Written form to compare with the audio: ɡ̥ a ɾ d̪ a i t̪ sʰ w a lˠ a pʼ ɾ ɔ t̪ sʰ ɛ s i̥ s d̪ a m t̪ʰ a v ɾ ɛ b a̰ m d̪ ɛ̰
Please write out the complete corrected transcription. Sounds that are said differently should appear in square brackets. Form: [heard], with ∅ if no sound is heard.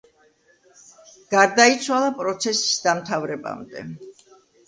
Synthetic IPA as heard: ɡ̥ a ɾ d̪ a i t̪ sʰ w a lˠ a pʼ ɾ ɔ t̪ sʰ ɛ s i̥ s d̪ a m t̪ʰ a v ɾ ɛ b a̰ m d̪ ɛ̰